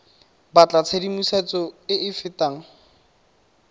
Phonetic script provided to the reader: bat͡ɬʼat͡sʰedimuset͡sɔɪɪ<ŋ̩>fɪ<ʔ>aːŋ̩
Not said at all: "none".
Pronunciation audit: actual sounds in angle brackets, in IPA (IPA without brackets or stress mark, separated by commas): none, t